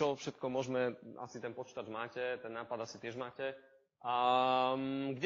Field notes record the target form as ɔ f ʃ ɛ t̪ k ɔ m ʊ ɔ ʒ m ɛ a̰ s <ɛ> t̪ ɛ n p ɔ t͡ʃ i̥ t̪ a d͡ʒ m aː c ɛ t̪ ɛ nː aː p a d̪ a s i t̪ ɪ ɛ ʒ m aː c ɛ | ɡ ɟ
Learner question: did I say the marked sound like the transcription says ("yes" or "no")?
no